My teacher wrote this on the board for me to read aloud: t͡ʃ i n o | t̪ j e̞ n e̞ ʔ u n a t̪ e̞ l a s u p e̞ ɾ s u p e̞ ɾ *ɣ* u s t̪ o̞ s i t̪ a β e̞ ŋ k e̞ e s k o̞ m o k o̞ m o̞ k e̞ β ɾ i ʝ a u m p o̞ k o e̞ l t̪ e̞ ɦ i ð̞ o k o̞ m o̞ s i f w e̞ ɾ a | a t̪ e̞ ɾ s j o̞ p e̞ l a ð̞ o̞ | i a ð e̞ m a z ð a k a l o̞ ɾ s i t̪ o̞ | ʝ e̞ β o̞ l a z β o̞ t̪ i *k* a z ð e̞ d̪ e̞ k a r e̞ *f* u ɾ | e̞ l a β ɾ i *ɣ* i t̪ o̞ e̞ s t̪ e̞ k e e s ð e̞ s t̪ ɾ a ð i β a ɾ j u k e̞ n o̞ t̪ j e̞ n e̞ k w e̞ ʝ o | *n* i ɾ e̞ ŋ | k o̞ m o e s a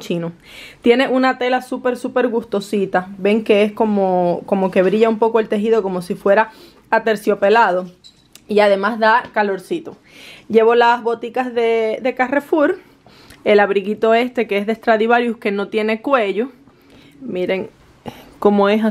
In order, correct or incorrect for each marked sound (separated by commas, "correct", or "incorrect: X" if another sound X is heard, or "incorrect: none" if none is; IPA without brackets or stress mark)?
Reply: correct, correct, correct, correct, incorrect: m